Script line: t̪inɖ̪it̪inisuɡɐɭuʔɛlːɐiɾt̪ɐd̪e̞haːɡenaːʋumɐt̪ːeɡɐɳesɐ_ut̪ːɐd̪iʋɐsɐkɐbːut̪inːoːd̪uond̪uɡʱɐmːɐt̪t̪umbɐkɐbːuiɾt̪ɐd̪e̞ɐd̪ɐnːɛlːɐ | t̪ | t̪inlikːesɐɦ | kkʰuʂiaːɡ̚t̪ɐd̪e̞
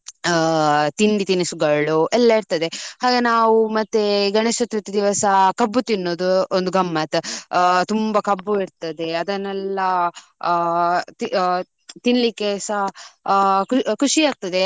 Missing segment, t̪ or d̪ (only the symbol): t̪